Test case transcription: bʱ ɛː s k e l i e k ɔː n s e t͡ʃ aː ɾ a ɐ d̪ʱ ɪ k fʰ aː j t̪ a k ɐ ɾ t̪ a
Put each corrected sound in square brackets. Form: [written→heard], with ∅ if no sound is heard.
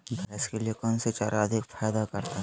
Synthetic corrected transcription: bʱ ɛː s k e l i e k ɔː n s e t͡ʃ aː ɾ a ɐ d̪ʱ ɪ k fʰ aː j [t̪→d̪] a k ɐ ɾ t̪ a